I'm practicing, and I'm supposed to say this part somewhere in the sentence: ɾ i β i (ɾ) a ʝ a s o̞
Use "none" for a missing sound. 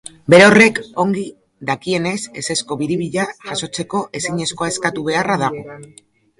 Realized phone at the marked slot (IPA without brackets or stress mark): ʎ